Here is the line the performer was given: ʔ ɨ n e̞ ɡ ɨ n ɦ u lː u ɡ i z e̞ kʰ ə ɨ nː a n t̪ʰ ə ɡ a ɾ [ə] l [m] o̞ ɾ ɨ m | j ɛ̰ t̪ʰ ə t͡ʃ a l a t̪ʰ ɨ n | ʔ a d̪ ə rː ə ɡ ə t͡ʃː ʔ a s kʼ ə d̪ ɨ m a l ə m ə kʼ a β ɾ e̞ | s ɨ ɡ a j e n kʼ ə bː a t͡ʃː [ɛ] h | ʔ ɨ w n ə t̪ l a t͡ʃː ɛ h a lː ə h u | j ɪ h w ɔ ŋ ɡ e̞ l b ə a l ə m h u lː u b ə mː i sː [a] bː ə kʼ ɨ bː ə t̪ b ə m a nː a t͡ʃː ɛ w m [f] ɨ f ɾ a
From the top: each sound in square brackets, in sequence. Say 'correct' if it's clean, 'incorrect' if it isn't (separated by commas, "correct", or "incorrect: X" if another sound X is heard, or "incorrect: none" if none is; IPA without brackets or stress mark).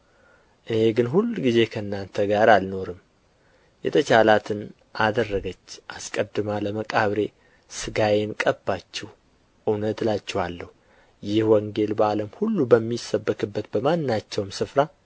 incorrect: a, incorrect: n, correct, incorrect: ə, incorrect: s